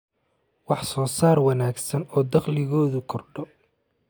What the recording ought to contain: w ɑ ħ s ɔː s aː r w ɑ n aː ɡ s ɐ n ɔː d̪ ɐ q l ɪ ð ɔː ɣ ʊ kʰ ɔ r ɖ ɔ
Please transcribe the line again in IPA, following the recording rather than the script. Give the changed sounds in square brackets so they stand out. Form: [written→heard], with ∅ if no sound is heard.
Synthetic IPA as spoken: w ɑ ħ s ɔː s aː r w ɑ n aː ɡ s ɐ n ɔː d̪ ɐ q l ɪ [ð→ɣ] ɔː [ɣ→ð] ʊ kʰ ɔ r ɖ ɔ